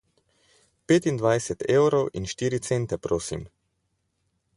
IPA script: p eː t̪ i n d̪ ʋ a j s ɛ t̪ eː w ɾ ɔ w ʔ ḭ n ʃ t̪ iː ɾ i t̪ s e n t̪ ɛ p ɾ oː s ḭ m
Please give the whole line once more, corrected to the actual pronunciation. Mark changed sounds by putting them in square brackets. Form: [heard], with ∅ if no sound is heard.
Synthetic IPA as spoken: p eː t̪ i n d̪ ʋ a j s ɛ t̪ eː w ɾ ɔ w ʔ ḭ n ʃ t̪ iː ɾ i t̪ s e n t̪ ɛ p ɾ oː s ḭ m